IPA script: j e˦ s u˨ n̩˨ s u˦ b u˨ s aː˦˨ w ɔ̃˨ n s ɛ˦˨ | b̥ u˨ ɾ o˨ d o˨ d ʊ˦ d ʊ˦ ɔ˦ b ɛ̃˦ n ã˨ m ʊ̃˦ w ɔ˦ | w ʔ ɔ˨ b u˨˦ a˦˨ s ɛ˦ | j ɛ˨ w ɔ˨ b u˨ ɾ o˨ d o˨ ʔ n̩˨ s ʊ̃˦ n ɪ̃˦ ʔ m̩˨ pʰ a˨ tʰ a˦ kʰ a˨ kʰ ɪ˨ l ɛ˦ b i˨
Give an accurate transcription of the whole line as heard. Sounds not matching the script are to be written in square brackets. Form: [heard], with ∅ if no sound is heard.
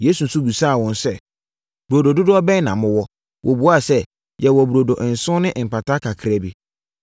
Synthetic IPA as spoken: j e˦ s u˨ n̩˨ s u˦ b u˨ s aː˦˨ w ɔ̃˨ n s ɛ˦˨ | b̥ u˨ ɾ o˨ d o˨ d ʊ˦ d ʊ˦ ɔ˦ b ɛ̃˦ n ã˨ m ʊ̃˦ w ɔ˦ | w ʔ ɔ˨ b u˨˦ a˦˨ s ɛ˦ | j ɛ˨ w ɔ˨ b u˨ ɾ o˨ d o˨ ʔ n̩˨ s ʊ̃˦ n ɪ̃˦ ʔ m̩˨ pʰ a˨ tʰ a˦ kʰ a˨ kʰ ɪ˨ [ɾ] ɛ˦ b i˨